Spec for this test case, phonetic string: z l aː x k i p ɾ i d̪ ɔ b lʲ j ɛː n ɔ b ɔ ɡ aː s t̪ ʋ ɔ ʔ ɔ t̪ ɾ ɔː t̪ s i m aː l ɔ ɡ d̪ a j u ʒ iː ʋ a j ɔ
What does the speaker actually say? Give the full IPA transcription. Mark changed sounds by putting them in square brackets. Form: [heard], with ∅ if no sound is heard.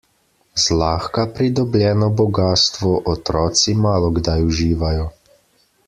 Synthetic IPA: z l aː x k [a] p ɾ i d̪ ɔ b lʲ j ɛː n ɔ b ɔ ɡ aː s t̪ ʋ ɔ ʔ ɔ t̪ ɾ ɔː t̪ s i m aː l ɔ ɡ d̪ a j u ʒ iː ʋ a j ɔ